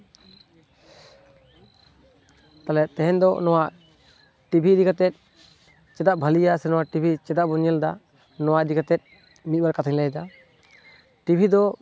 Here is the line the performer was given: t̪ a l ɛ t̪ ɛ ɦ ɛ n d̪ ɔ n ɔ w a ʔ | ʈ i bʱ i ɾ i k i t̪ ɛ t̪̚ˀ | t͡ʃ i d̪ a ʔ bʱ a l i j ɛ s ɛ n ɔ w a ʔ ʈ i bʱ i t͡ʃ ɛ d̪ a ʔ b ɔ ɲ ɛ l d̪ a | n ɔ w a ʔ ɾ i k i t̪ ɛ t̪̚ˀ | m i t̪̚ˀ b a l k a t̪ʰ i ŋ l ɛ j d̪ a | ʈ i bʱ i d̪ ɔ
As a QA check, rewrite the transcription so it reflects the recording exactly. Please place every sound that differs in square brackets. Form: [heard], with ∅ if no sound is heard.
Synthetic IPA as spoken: t̪ a l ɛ t̪ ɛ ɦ ɛ n d̪ ɔ n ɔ w a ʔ | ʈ i bʱ i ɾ i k [a] t̪ ɛ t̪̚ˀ | t͡ʃ [ɛ] d̪ a ʔ bʱ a l i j [a] s ɛ n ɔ w a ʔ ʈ i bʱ i t͡ʃ ɛ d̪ a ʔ b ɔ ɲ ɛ l d̪ a | n ɔ w a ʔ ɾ i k [a] t̪ ɛ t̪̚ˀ | m i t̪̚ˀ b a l k a t̪ʰ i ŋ l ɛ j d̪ a | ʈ i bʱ i d̪ ɔ